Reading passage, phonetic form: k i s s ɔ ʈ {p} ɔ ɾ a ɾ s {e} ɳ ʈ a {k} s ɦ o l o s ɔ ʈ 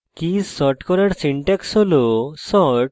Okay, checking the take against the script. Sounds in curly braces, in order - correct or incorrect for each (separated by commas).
incorrect, incorrect, correct